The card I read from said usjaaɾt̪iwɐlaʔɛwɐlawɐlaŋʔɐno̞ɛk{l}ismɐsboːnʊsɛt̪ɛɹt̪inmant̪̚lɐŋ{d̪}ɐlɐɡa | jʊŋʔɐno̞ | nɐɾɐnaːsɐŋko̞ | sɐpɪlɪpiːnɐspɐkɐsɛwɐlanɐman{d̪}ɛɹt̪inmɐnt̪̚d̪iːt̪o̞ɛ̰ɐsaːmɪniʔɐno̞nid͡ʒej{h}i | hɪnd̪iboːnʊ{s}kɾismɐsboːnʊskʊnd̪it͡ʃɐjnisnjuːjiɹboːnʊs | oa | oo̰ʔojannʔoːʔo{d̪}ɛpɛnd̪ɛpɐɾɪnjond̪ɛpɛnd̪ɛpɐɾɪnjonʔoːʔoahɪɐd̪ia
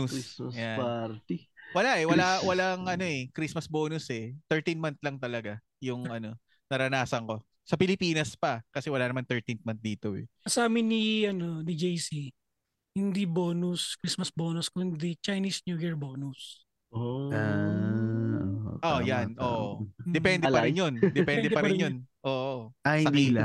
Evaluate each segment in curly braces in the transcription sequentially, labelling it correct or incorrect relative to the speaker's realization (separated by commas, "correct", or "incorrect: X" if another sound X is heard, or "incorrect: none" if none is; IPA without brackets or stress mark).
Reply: incorrect: ɾ, incorrect: t̪, incorrect: t̪, incorrect: s, correct, correct